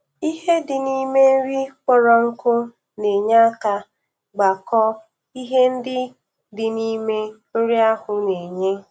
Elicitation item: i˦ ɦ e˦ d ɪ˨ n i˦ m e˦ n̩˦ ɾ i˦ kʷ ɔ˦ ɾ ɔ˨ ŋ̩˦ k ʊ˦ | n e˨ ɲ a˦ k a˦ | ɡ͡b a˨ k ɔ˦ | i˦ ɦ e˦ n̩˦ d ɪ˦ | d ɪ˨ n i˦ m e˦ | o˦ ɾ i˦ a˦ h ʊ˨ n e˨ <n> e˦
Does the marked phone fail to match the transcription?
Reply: yes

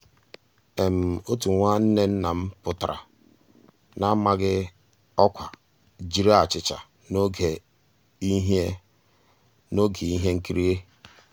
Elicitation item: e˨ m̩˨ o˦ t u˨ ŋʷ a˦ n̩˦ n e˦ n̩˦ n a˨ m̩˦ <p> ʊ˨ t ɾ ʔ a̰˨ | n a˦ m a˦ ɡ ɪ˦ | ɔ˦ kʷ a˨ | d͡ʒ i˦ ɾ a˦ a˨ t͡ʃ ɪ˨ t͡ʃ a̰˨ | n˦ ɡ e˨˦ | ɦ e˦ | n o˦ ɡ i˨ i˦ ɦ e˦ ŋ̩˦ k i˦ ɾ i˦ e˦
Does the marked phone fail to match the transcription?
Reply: no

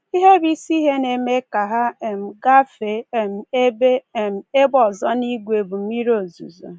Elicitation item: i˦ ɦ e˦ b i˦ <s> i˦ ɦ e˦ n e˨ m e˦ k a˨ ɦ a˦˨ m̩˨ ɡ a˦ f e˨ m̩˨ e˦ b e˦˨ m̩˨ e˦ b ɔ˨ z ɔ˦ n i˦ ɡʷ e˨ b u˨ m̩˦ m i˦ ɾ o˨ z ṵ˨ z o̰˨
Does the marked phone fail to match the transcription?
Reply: no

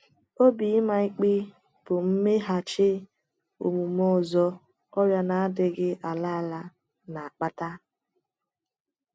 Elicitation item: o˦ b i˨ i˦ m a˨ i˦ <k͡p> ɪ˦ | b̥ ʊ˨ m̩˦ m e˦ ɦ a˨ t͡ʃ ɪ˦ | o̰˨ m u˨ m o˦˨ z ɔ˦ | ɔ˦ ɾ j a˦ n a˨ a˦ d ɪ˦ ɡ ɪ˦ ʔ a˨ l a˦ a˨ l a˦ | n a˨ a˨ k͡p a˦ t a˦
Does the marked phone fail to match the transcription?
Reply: no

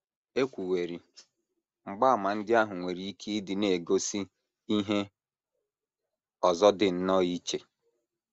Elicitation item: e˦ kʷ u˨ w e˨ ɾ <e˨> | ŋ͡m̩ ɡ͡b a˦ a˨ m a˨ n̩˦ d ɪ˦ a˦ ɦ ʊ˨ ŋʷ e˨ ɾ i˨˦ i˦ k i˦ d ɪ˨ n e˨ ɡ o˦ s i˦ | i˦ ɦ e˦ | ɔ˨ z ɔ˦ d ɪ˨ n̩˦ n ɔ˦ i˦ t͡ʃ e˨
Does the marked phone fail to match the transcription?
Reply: yes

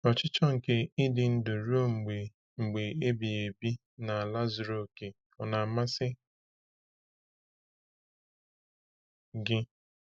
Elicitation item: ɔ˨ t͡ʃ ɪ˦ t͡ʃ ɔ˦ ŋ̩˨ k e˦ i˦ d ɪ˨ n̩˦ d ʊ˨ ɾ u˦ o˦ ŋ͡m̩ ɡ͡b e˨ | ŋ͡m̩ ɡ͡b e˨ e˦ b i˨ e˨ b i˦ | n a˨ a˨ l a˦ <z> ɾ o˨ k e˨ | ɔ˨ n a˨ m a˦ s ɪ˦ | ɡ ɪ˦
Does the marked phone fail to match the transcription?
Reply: no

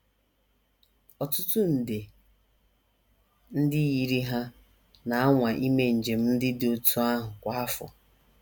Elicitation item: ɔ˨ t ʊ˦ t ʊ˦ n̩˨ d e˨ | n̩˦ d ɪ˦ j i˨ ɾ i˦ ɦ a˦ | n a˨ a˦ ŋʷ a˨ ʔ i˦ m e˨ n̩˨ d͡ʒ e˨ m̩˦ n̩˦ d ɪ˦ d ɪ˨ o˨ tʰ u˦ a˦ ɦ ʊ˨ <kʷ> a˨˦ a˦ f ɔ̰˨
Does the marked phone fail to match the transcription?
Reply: no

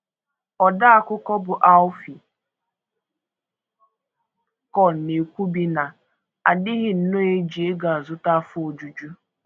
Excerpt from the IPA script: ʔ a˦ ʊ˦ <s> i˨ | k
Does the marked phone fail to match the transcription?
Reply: yes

